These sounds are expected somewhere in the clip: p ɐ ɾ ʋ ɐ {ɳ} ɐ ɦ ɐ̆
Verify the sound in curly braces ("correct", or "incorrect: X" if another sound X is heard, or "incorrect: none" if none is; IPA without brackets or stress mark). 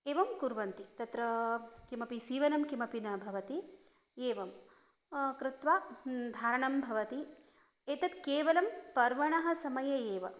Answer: correct